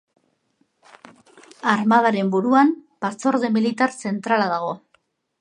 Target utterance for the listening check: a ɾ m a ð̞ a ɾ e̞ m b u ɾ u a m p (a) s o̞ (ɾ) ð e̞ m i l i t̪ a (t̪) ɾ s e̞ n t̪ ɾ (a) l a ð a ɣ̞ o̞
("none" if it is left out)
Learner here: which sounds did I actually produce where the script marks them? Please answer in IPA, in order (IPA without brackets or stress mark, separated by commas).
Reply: a, ɾ, none, a